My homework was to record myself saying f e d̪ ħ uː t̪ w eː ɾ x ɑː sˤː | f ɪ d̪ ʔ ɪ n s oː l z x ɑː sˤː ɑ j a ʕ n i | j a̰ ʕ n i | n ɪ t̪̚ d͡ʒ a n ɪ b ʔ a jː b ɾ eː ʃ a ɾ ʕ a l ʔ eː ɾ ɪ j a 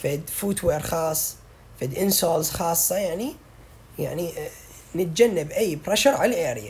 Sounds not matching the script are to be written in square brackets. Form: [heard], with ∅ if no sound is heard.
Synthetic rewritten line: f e d̪ [f] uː t̪ w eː ɾ x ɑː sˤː | f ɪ d̪ ʔ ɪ n s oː l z x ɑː sˤː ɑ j a ʕ n i | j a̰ ʕ n i | n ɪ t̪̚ d͡ʒ a [nː] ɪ b ʔ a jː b ɾ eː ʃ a ɾ ʕ a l ʔ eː ɾ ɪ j a